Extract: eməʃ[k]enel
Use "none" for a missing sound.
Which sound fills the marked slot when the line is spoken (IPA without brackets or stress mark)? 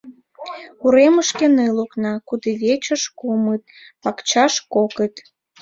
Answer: k